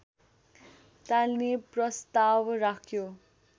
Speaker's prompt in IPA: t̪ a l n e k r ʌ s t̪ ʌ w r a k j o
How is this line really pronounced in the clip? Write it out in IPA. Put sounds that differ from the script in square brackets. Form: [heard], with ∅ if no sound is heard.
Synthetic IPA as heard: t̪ a l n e [p] r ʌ s t̪ [a] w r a [kʰ] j o